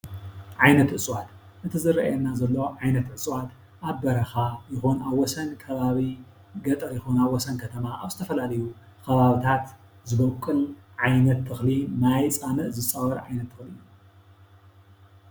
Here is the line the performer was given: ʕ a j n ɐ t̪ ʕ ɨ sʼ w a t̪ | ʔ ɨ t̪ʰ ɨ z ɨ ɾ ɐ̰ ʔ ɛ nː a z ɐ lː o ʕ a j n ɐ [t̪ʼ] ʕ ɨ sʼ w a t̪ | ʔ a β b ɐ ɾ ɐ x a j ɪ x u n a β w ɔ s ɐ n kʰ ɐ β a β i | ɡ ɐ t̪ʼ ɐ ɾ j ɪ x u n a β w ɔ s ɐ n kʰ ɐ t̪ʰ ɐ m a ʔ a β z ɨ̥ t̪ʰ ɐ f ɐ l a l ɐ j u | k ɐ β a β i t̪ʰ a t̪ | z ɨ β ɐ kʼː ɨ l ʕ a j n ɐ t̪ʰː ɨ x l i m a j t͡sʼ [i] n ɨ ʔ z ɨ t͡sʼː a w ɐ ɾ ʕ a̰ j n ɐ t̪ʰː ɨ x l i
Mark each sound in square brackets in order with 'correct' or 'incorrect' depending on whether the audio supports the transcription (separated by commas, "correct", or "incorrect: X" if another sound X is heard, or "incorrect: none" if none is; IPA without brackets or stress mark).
incorrect: t̪, incorrect: a